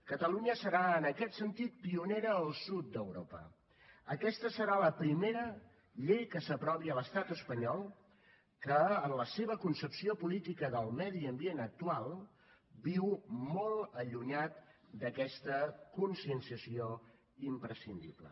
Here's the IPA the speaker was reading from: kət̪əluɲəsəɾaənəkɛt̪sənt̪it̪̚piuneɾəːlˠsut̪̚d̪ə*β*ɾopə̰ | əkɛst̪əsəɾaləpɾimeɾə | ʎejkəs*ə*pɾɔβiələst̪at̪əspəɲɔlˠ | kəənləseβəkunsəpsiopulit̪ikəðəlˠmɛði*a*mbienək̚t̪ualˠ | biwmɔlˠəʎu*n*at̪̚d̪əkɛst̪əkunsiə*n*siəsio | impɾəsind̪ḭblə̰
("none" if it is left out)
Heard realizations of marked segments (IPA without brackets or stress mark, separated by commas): w, ə, ə, ɲ, n